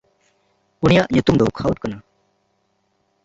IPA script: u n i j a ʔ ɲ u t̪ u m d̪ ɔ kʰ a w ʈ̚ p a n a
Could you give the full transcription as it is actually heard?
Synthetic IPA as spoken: u n i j a ʔ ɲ u t̪ u m d̪ ɔ kʰ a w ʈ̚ k a n a